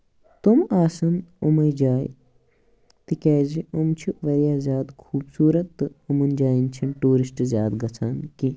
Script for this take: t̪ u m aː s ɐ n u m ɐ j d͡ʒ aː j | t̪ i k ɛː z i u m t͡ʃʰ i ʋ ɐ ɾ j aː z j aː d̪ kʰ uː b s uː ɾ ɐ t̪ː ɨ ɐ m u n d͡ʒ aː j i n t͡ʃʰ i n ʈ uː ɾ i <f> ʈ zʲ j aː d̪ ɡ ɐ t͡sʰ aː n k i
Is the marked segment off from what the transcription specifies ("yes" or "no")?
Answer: yes